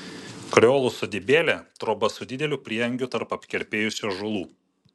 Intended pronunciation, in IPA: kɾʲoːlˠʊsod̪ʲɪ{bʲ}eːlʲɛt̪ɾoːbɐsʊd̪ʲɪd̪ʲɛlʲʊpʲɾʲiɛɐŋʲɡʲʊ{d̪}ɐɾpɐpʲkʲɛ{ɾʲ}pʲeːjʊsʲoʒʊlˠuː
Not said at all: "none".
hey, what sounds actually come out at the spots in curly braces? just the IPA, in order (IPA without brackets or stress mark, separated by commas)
bʲ, t̪, ɾʲ